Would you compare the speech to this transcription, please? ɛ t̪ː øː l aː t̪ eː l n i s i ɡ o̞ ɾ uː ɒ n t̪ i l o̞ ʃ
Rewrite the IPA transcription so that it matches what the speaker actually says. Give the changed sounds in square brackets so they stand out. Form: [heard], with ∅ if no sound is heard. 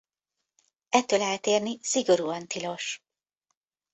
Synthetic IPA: ɛ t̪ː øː l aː t̪ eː [r] n i s i ɡ o̞ ɾ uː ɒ n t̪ i l o̞ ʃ